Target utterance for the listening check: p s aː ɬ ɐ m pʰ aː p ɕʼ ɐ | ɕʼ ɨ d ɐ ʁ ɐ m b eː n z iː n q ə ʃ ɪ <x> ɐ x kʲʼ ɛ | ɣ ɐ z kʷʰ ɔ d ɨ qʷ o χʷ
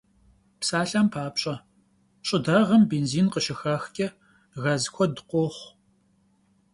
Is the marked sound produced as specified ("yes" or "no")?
yes